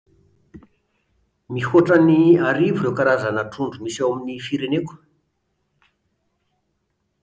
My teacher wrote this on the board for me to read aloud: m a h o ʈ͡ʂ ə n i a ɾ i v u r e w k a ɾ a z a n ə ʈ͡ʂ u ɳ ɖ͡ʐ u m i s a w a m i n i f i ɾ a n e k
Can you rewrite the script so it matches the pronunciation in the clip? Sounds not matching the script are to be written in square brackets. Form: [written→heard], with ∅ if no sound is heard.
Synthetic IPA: m [a→i] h o ʈ͡ʂ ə n i a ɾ i v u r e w k a ɾ a z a n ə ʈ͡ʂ u ɳ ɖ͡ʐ u m i s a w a m i n i f i ɾ [a→e] n e k